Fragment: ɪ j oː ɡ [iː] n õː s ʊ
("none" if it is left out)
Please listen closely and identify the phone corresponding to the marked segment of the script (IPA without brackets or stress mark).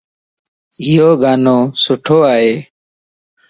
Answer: aː